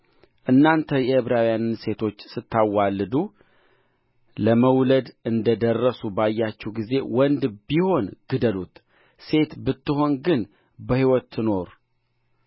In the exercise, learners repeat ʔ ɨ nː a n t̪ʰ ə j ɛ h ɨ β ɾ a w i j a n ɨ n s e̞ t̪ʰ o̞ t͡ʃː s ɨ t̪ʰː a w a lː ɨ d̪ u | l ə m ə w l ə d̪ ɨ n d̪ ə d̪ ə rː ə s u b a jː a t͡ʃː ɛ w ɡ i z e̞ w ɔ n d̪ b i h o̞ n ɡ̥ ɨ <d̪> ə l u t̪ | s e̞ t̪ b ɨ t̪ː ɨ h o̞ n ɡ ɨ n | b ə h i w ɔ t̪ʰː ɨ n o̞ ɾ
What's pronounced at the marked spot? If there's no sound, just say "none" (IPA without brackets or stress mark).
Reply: d̪